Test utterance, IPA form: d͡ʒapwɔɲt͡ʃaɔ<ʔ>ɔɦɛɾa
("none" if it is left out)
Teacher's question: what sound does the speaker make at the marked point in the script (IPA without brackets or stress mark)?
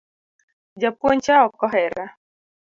k